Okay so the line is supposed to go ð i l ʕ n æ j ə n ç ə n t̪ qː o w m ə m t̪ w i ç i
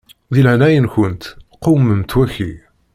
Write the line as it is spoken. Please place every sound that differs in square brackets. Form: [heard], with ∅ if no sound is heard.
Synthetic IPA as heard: ð i l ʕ n æ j ə n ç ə n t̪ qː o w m ə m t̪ w [æ] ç i